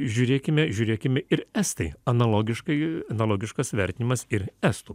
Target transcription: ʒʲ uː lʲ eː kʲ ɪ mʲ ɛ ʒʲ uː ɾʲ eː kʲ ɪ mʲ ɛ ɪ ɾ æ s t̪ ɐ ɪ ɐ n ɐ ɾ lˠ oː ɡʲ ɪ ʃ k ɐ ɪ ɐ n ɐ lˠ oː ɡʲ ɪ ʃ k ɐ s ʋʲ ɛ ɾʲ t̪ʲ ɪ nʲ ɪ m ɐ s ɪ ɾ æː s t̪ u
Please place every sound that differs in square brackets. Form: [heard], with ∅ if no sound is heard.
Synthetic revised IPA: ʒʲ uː [ɾʲ] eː kʲ ɪ mʲ ɛ ʒʲ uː ɾʲ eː kʲ ɪ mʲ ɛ ɪ ɾ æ s t̪ ɐ ɪ ɐ n ɐ [∅] lˠ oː ɡʲ ɪ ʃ k ɐ ɪ ɐ n ɐ lˠ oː ɡʲ ɪ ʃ k ɐ s ʋʲ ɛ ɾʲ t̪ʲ ɪ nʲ ɪ m ɐ s ɪ ɾ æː s t̪ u

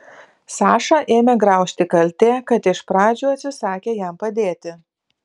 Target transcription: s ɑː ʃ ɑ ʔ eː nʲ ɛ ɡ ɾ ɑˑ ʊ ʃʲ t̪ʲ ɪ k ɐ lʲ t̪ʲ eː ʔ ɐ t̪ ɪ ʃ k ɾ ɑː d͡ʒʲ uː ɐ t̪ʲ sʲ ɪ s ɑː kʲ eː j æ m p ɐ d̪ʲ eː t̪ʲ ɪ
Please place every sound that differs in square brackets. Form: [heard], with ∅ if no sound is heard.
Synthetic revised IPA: s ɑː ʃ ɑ ʔ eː [mʲ] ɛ ɡ ɾ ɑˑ ʊ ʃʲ t̪ʲ ɪ k ɐ lʲ t̪ʲ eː [k] ɐ t̪ ɪ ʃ [p] ɾ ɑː d͡ʒʲ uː ɐ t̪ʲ sʲ ɪ s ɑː kʲ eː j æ m p ɐ d̪ʲ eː t̪ʲ ɪ

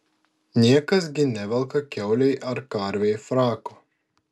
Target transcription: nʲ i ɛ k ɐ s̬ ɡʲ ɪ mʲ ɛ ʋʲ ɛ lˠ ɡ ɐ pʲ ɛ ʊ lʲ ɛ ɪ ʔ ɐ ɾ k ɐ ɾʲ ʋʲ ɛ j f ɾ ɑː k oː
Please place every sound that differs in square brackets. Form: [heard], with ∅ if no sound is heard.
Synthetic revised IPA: nʲ i ɛ k ɐ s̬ ɡʲ ɪ [nʲ] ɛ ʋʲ ɛ lˠ [k] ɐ [kʲ] ɛ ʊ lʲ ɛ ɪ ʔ ɐ ɾ k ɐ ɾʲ ʋʲ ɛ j f ɾ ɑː k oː

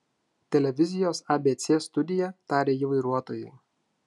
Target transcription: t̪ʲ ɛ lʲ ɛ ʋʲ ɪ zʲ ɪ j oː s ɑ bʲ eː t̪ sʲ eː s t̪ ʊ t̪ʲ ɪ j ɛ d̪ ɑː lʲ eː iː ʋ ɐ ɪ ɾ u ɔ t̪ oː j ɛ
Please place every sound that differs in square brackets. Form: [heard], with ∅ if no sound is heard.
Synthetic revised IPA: t̪ʲ ɛ lʲ ɛ ʋʲ ɪ zʲ ɪ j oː s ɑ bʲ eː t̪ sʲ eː s t̪ ʊ [d̪ʲ] ɪ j ɛ [t̪] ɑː [ɾʲ] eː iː ʋ ɐ ɪ ɾ u ɔ t̪ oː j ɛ

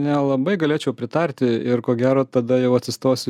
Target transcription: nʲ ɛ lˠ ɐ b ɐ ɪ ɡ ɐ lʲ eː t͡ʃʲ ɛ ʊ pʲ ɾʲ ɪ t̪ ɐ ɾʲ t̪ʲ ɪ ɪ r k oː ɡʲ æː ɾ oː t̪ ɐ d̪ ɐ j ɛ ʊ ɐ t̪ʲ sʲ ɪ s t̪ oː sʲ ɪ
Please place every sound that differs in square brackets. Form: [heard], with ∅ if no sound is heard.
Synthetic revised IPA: nʲ ɛ lˠ ɐ b ɐ ɪ ɡ ɐ lʲ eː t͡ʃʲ ɛ ʊ pʲ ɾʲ ɪ t̪ ɐ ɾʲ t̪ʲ ɪ ɪ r k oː ɡʲ æː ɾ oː t̪ ɐ d̪ ɐ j ɛ ʊ ɐ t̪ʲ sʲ ɪ s t̪ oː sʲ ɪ

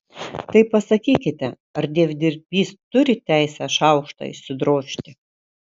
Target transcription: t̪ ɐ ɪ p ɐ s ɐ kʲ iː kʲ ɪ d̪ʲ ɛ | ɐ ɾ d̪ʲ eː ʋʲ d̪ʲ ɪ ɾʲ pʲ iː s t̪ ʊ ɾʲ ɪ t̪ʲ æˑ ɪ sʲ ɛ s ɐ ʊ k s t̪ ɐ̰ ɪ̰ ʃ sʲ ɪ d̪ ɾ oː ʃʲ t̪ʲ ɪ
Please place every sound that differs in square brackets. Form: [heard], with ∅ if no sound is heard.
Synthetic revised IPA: t̪ ɐ ɪ p ɐ s ɐ kʲ iː kʲ ɪ [t̪ʲ] ɛ | ɐ ɾ d̪ʲ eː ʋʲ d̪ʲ ɪ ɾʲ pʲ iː s t̪ ʊ ɾʲ ɪ t̪ʲ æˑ ɪ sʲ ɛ [ʃ] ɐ ʊ k [ʃ] t̪ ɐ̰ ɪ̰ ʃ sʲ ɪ d̪ ɾ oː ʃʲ t̪ʲ ɪ

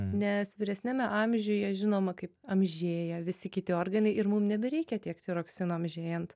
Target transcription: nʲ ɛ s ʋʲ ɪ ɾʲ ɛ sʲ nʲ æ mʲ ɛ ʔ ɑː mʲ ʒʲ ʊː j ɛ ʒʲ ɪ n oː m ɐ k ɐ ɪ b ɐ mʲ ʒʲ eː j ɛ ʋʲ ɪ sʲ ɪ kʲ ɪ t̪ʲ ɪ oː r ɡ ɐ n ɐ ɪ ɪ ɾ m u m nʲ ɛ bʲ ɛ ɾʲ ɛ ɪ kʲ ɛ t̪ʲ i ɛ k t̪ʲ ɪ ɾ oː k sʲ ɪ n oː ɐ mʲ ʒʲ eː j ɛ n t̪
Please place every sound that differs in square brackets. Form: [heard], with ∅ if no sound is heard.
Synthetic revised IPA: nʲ ɛ s ʋʲ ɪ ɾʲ ɛ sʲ nʲ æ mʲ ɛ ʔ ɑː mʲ ʒʲ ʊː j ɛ ʒʲ ɪ n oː m ɐ k ɐ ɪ [p] ɐ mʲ ʒʲ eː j ɛ ʋʲ ɪ sʲ ɪ kʲ ɪ t̪ʲ ɪ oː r ɡ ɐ n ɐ ɪ ɪ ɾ m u m nʲ ɛ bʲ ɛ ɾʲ ɛ ɪ kʲ ɛ t̪ʲ i ɛ k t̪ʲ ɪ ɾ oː k sʲ ɪ n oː ɐ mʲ ʒʲ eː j ɛ n t̪

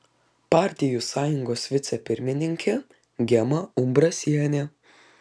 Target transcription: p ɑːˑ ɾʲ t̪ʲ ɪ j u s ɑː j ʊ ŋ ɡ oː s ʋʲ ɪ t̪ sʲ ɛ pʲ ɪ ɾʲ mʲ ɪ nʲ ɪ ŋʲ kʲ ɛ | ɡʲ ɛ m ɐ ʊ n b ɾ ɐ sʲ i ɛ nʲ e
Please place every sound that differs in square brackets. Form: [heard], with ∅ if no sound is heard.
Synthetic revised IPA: p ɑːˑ ɾʲ t̪ʲ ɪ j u s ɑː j ʊ ŋ ɡ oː s ʋʲ ɪ t̪ sʲ ɛ pʲ ɪ ɾʲ mʲ ɪ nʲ ɪ ŋʲ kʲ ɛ | ɡʲ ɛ m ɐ ʊ [m] b ɾ ɐ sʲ i ɛ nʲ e

